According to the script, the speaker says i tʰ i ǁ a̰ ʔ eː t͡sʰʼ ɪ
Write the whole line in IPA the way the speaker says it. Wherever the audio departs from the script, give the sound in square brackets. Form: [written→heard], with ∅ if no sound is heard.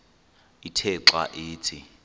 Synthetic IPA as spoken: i tʰ [i→ɛ] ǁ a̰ ʔ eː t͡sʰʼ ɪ